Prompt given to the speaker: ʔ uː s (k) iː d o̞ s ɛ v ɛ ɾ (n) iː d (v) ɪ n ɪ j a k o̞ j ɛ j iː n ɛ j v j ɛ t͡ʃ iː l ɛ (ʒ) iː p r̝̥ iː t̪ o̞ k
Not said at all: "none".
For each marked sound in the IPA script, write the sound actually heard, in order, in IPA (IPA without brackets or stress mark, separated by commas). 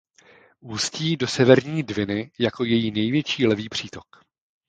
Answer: c, ɲ, v, v